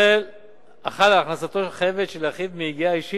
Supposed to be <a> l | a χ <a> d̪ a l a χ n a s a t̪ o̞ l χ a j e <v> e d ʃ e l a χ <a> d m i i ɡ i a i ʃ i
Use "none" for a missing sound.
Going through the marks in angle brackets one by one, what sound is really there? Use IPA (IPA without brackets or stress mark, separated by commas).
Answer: e, a, v, i